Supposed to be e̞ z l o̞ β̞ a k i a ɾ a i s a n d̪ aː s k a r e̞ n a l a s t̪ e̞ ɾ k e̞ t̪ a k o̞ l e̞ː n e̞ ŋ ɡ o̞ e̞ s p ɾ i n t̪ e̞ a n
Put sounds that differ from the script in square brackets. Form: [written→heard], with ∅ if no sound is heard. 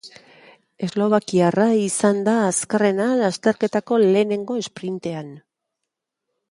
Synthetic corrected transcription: e̞ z l o̞ β̞ a k i a [ɾ→r] a i s a n d̪ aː s k a r e̞ n a l a s t̪ e̞ ɾ k e̞ t̪ a k o̞ l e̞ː n e̞ ŋ ɡ o̞ e̞ s p ɾ i n t̪ e̞ a n